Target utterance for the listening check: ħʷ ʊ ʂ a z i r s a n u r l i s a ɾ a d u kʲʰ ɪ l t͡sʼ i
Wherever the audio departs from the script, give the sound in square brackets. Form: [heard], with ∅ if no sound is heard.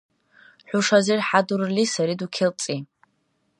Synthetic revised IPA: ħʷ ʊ ʂ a z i r [ħ] a [d] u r l i s a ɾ [i] d u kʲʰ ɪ l t͡sʼ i